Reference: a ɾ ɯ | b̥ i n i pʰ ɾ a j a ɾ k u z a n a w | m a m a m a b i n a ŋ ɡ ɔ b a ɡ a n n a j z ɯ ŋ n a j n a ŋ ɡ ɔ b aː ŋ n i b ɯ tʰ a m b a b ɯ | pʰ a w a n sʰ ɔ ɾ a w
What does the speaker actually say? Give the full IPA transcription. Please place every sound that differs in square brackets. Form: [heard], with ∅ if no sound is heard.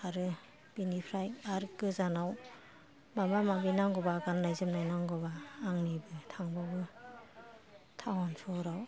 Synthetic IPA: a ɾ ɯ | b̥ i n i pʰ ɾ a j a ɾ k [ɯ] z a n a w | m a m a m a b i n a ŋ ɡ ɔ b a ɡ a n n a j z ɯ [m] n a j n a ŋ ɡ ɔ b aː ŋ n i b ɯ tʰ a [ŋ] b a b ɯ | [tʰ] a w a n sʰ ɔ ɾ a w